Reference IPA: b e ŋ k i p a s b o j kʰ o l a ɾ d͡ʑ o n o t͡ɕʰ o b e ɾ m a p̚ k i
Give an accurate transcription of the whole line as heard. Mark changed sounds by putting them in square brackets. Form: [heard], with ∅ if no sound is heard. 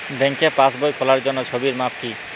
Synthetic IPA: b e ŋ k [e] p a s b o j kʰ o l a ɾ d͡ʑ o [nː] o t͡ɕʰ o b [i] ɾ m a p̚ k i